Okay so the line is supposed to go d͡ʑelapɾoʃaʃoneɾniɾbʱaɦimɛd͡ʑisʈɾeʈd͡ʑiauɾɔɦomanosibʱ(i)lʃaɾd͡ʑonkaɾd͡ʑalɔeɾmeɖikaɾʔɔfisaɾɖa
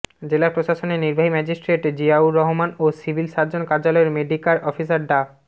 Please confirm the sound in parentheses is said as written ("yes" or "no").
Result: yes